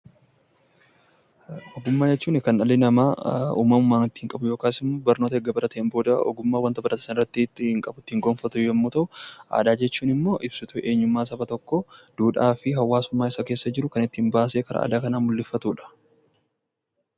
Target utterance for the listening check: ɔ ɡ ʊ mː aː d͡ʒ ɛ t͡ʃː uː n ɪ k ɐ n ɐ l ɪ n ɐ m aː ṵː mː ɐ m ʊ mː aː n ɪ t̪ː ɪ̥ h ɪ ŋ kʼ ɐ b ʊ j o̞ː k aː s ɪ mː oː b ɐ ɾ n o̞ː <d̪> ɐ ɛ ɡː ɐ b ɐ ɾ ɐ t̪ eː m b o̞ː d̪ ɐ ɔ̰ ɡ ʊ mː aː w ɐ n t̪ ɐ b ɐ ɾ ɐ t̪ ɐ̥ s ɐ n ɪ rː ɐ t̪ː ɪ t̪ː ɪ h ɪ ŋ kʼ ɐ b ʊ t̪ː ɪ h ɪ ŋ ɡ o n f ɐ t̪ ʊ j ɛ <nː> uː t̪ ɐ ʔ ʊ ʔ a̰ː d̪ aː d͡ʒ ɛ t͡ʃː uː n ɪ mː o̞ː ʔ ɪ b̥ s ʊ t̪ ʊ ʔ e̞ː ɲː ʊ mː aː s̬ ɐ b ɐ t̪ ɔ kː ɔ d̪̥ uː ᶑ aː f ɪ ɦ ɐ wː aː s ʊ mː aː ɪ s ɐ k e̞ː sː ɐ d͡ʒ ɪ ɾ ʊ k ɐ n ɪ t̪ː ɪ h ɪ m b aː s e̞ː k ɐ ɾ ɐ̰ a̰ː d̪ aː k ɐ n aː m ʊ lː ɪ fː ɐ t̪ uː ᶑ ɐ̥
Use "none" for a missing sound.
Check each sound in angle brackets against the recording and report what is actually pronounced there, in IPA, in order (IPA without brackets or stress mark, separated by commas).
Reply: t̪, mː